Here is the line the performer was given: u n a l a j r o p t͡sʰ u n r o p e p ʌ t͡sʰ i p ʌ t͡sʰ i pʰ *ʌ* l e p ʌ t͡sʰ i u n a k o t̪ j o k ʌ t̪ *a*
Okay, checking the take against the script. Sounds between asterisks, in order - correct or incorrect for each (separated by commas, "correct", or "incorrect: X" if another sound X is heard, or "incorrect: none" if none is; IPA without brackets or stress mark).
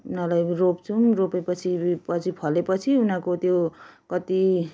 correct, incorrect: i